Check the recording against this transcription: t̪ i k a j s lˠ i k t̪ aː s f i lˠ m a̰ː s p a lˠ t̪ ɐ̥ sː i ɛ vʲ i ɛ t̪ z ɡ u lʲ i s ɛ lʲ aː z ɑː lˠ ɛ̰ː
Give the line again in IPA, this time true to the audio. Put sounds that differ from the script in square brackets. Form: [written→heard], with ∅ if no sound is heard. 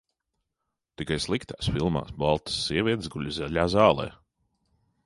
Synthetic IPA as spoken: t̪ i k a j s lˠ i k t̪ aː s f i lˠ m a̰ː s [p→b] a lˠ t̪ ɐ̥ sː i ɛ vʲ i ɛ t̪ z ɡ u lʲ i [s→z] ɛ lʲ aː z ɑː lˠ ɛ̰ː

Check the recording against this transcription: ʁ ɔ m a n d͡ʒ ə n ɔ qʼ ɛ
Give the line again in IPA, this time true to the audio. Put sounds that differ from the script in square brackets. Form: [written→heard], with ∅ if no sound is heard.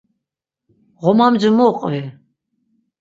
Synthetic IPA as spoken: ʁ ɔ m a [n→m] d͡ʒ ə [n→m] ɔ qʼ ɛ

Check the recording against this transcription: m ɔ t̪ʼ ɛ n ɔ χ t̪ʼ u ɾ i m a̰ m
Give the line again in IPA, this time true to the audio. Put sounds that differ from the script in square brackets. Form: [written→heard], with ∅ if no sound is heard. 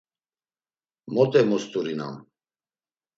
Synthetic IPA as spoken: m ɔ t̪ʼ ɛ [n→m] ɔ [χ→s] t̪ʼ u ɾ i [m→n] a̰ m

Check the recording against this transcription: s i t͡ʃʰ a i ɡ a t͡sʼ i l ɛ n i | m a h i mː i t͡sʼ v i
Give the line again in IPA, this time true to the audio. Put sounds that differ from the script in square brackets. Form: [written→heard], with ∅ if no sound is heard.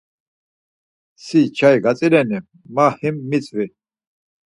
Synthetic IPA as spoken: s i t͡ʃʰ a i ɡ a t͡sʼ i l ɛ n i | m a h i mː i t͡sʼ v i

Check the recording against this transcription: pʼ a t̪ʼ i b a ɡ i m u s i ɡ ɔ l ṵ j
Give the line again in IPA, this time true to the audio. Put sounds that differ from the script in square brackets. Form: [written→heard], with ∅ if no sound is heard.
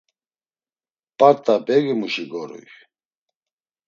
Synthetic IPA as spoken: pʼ a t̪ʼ [i→a] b [a→ɛ] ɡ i m u [s→ʃ] i ɡ ɔ [l→ɾ] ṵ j

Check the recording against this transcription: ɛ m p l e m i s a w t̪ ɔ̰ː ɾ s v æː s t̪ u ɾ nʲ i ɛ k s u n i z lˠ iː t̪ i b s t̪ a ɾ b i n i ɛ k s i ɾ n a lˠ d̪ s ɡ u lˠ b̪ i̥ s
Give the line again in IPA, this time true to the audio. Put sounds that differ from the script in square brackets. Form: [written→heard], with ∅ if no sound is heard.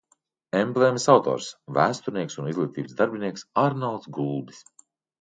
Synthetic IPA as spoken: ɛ m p l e m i s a w t̪ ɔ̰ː ɾ s v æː s t̪ u ɾ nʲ i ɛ k s u n i z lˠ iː t̪ [i→iː] b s [t̪→d̪] a ɾ b i n i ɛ k s [i→a] ɾ n a lˠ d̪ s ɡ u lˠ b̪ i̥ s

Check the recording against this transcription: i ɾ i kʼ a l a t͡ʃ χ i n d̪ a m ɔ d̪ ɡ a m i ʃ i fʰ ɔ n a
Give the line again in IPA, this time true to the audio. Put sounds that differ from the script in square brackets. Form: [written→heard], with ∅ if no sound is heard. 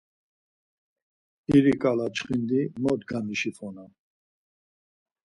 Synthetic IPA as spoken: i ɾ i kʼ a l a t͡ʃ χ i n d̪ [a→i] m ɔ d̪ ɡ a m i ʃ i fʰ ɔ n a

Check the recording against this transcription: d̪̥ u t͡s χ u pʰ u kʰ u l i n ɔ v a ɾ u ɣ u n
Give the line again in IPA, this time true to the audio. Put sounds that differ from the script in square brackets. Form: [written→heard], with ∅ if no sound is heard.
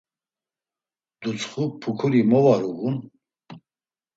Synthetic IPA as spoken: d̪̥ u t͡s χ u pʰ u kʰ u [l→ɾ] i [n→m] ɔ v a ɾ u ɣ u n

